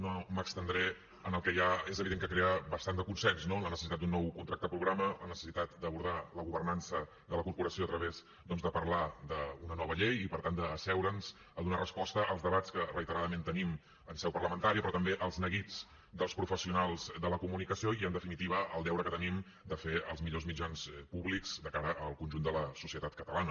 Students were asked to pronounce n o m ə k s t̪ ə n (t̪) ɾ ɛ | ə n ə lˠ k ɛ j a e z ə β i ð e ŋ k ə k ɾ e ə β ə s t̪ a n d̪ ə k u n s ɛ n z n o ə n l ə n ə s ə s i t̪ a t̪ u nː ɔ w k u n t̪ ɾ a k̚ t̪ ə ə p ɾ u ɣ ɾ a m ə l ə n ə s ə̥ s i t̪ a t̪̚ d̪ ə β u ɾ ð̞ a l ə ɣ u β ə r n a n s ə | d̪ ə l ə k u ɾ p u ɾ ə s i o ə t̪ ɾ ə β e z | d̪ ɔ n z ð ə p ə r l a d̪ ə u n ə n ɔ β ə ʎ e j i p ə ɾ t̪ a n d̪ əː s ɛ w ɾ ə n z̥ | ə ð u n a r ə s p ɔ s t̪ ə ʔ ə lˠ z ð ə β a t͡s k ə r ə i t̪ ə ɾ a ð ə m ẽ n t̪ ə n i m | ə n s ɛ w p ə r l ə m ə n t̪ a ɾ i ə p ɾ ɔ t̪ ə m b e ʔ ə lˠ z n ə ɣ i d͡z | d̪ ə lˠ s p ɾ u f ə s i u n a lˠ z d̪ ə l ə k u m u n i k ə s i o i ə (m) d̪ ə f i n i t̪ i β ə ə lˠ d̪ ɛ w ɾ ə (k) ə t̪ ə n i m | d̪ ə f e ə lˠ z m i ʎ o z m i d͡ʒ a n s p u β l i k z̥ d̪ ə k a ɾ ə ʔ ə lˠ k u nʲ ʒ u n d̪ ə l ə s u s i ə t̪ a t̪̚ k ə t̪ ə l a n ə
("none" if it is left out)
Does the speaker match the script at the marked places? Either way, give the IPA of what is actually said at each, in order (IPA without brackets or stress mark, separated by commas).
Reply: d̪, n, k